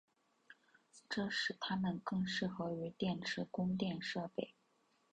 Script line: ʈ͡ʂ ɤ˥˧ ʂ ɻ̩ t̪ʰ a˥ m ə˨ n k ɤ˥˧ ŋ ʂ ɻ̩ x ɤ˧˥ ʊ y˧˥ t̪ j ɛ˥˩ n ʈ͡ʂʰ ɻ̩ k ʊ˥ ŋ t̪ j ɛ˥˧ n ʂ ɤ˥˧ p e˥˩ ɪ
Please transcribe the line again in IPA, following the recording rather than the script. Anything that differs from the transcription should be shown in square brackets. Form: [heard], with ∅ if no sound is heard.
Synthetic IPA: ʈ͡ʂ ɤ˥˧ ʂ ɻ̩ t̪ʰ a˥ m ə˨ n k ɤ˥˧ ŋ ʂ ɻ̩ x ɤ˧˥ ʊ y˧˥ t̪ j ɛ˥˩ n ʈ͡ʂʰ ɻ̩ k ʊ˥ ŋ t̪ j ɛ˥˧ n ʂ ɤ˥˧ p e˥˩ ɪ